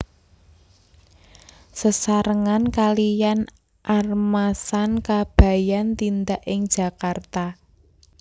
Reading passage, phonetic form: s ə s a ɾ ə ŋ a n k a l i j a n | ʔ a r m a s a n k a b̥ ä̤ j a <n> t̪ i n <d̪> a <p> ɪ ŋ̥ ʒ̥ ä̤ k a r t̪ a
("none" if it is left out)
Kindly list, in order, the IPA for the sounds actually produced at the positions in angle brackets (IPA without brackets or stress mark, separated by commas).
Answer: n, d̪, ʔ